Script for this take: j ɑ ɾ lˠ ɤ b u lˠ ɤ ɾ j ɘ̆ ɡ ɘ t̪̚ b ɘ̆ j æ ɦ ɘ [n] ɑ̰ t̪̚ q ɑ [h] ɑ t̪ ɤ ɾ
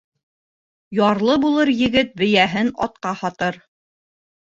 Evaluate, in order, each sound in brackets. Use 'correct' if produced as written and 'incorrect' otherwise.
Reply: correct, correct

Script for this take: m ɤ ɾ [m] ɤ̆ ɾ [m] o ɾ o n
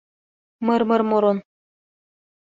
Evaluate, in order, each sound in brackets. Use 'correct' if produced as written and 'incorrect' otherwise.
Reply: correct, correct

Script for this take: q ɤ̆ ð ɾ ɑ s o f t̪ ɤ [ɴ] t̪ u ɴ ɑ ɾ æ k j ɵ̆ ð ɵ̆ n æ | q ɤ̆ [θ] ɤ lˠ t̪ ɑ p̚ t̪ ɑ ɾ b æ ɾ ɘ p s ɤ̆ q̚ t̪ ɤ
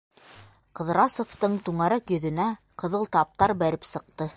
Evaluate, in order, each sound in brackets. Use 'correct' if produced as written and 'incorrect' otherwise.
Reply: correct, incorrect: ð

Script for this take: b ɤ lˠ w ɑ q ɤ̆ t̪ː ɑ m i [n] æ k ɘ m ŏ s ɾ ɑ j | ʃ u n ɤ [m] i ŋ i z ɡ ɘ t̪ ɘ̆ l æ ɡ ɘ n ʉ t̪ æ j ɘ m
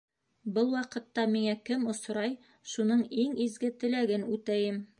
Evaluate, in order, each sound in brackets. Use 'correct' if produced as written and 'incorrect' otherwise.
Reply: incorrect: ŋ, incorrect: ɴ

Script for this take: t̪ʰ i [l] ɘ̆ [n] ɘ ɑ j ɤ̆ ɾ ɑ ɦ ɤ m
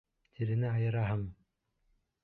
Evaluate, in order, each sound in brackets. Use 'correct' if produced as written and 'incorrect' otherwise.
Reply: incorrect: ɾ, correct

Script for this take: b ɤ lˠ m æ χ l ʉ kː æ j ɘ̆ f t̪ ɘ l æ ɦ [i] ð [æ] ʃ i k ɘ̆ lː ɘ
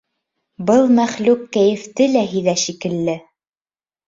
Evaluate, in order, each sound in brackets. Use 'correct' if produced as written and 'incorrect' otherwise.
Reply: correct, correct

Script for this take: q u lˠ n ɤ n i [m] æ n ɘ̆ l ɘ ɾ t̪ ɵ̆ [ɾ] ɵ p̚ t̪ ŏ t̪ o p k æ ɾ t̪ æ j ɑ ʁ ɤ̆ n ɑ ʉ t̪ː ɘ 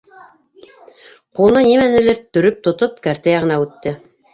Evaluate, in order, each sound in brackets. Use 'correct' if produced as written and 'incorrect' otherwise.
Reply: correct, correct

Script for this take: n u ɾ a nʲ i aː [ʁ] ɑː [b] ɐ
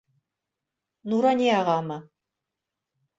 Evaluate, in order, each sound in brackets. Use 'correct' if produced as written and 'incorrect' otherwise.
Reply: correct, incorrect: m

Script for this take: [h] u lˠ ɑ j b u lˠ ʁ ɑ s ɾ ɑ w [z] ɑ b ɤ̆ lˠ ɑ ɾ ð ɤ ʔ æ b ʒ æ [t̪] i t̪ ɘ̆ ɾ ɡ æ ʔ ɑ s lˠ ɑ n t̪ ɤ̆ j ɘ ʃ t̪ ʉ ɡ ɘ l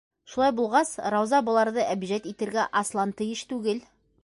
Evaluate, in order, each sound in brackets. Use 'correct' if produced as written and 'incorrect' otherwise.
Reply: incorrect: ʃ, correct, correct

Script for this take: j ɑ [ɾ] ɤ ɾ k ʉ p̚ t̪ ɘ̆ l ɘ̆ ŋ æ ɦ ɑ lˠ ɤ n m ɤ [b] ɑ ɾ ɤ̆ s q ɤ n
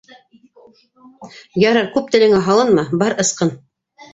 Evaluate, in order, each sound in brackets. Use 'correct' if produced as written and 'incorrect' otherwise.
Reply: correct, correct

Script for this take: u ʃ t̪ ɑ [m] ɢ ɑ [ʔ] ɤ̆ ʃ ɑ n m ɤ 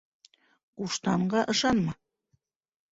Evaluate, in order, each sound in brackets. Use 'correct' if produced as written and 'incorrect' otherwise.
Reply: incorrect: ɴ, correct

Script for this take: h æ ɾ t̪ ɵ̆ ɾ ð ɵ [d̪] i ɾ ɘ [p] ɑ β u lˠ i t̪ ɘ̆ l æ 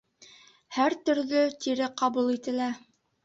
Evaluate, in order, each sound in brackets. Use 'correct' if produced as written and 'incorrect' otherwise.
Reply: incorrect: t̪, incorrect: q

